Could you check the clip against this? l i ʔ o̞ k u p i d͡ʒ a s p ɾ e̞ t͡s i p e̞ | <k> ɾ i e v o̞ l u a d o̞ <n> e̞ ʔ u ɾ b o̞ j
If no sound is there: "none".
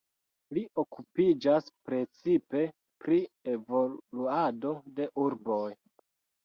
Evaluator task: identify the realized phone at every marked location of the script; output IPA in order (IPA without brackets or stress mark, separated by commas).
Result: p, d